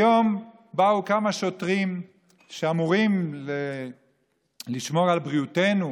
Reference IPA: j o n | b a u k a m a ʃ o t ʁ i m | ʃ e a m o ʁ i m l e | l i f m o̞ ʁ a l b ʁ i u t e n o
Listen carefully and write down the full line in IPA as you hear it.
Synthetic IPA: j o m | b a u k a m a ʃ o t ʁ i m | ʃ e a m u ʁ i m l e | l i ʃ m o̞ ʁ a l b ʁ i u t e n u